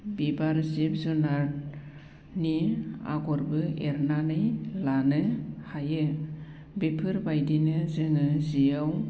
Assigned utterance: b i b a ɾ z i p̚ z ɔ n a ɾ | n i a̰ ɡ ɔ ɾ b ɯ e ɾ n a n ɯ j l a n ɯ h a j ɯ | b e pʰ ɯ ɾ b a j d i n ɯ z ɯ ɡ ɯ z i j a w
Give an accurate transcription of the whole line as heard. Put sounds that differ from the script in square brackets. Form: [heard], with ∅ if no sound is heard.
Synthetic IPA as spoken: b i b a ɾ z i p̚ z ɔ n a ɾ | n i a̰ ɡ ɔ ɾ b ɯ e ɾ n a n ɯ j l a n ɯ h a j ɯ | b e pʰ ɯ ɾ b a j d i n ɯ z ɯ [ŋ] ɯ z i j a w

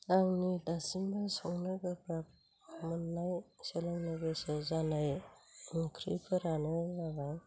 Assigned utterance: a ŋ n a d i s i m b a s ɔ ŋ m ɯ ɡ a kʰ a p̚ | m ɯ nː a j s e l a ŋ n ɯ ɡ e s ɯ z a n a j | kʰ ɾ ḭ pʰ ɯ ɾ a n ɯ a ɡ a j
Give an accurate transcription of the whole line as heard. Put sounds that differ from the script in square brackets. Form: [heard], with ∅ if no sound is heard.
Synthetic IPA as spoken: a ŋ n [i] d [a] s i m b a s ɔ ŋ [n] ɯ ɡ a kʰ a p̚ | m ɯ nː a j s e l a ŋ n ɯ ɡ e s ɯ z a n a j | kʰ ɾ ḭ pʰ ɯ ɾ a n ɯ a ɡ a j

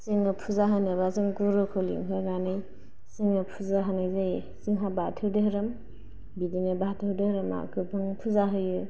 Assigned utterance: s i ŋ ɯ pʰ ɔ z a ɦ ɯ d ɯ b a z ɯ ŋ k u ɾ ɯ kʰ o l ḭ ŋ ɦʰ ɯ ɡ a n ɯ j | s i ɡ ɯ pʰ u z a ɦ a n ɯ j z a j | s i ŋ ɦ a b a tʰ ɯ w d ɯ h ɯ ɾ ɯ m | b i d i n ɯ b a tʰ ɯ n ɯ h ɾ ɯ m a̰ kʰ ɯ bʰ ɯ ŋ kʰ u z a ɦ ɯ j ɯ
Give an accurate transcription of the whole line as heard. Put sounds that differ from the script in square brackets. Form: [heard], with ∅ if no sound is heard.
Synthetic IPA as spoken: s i ŋ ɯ pʰ [u] z a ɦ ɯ [n] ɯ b a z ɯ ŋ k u ɾ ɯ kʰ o l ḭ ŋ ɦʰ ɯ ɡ a n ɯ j | s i [ŋ] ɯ pʰ u z a ɦ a n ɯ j z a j | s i ŋ ɦ a b a tʰ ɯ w d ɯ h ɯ ɾ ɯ m | b i d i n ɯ b a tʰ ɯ [d] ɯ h ɾ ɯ m a̰ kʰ ɯ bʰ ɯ ŋ [pʰ] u z a ɦ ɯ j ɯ

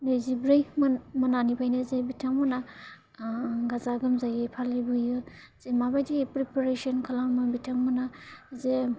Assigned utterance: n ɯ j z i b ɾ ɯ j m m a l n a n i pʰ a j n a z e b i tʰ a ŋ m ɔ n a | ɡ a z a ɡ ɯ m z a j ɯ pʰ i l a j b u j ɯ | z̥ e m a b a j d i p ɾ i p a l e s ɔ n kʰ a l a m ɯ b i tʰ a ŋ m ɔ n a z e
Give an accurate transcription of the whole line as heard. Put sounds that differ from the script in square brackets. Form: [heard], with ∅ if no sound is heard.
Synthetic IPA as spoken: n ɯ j z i b ɾ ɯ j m m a [∅] n a n i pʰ a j n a z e b i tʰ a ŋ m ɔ n a | ɡ a z a ɡ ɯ m z a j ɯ pʰ [a] l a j b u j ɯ | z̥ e m a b a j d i p ɾ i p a [ɾ] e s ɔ n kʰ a l a m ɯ b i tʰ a ŋ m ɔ n a z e

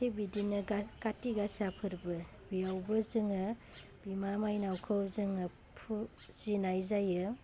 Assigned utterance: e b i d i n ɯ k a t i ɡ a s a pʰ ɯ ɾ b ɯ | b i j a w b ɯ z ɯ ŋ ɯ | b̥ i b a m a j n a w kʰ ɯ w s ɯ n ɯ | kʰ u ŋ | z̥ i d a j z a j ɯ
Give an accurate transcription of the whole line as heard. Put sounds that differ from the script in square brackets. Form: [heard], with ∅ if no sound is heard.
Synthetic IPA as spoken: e b i d i n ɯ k a t i ɡ a s a pʰ ɯ ɾ b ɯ | b i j a w b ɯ z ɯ ŋ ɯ | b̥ i [m] a m a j n a w kʰ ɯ w [z] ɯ [ŋ] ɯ | [pʰ] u [∅] | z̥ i [n] a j z a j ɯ

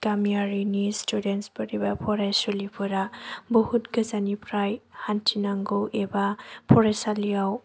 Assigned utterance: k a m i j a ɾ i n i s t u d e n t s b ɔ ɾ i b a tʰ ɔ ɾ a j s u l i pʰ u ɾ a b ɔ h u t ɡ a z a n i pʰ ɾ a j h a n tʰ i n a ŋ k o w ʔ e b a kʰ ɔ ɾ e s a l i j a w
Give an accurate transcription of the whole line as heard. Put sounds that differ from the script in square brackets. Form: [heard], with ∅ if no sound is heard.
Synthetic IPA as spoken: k a m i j a ɾ i n i s t u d e n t s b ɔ ɾ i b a [pʰ] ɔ ɾ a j s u l i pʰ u ɾ a b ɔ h u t ɡ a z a n i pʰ ɾ a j h a n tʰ i n a ŋ [ɡ] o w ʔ e b a [pʰ] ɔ ɾ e s a l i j a w

